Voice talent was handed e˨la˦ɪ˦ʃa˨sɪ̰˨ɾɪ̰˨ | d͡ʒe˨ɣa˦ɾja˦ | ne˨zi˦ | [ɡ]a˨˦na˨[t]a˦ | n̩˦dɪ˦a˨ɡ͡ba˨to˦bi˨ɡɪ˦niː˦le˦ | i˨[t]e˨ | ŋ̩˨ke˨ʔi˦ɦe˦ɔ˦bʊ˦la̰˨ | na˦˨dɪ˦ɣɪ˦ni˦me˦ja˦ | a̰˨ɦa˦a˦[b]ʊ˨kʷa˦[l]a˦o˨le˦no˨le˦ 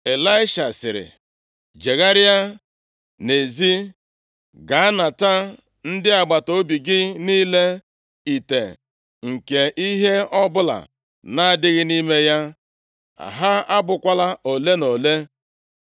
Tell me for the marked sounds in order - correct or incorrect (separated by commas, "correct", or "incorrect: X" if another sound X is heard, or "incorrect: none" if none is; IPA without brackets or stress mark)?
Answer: correct, correct, correct, correct, correct